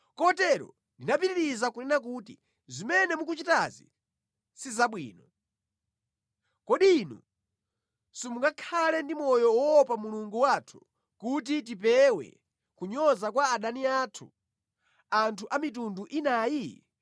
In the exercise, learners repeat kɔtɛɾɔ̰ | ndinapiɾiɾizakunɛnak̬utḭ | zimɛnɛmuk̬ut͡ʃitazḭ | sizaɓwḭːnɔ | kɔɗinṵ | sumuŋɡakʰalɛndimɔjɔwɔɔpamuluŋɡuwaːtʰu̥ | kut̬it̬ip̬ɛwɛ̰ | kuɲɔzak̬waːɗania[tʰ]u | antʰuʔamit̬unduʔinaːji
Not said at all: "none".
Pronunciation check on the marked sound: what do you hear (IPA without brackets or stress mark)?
tʰ